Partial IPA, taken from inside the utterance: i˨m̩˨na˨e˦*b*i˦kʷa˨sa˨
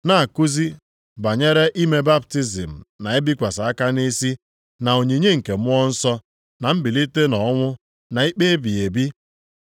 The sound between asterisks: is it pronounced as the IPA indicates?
yes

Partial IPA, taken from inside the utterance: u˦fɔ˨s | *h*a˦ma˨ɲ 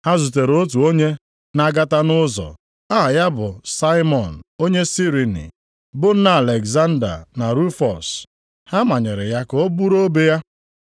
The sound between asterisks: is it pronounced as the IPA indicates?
yes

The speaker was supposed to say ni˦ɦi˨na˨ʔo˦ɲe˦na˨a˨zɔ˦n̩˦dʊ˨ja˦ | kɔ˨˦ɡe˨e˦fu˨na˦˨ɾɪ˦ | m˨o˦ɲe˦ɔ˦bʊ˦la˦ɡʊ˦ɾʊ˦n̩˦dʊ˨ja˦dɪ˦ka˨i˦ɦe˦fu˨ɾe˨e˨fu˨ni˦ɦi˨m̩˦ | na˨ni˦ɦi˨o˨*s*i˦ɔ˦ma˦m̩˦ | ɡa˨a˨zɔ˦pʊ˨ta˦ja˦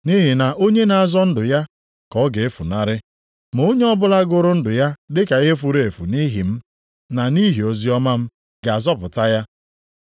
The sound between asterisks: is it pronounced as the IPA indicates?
no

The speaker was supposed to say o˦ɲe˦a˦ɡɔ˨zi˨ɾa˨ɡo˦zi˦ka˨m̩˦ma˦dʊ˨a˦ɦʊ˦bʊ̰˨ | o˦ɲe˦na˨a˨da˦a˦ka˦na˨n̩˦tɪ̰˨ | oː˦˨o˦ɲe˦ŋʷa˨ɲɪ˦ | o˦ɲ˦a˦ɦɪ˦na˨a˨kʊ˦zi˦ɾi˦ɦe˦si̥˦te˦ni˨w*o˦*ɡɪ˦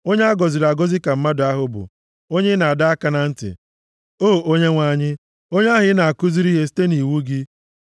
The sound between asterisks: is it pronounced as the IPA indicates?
no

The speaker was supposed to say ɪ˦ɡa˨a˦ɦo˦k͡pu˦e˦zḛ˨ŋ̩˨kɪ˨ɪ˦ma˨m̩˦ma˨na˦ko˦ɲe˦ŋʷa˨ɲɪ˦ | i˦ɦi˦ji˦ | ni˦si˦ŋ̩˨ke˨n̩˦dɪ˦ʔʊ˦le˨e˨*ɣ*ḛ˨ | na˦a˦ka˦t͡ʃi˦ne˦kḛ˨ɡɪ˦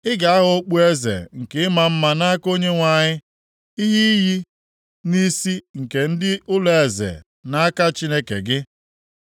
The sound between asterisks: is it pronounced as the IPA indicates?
no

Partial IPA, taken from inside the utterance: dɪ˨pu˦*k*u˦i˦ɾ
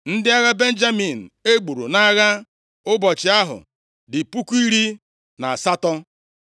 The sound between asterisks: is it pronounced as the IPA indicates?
yes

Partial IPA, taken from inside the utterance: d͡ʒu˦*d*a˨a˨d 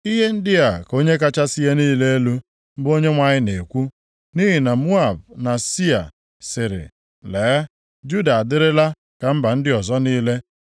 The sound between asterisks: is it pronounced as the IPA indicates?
yes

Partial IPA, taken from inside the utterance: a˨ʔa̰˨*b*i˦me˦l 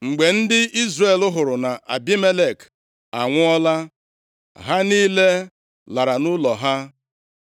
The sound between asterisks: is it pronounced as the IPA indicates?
yes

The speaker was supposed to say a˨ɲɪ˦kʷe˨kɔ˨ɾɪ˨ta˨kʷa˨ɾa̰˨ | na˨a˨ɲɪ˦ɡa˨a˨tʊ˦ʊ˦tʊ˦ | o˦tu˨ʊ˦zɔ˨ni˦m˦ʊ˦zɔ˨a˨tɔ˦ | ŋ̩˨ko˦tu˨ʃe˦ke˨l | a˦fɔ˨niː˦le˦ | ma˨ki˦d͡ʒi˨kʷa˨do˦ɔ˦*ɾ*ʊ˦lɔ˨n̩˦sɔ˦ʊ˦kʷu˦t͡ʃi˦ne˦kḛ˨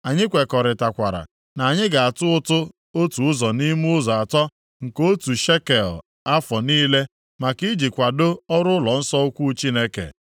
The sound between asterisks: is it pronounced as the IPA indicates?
yes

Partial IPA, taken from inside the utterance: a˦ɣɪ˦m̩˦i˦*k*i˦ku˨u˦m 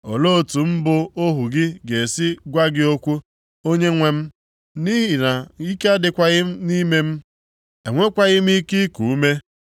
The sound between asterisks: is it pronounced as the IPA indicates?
yes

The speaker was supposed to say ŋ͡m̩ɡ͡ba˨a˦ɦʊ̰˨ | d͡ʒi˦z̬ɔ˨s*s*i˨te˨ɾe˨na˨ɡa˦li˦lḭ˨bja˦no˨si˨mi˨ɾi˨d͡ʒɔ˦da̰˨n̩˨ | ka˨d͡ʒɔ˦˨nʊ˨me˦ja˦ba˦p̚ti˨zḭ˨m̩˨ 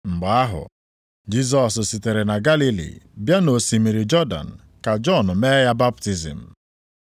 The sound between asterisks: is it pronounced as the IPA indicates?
yes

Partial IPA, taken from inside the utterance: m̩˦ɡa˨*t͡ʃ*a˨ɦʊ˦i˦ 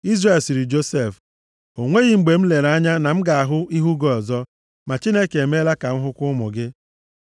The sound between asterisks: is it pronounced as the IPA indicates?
no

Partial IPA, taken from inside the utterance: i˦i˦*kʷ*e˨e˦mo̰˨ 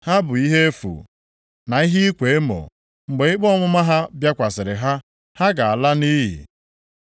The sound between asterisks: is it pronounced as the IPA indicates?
yes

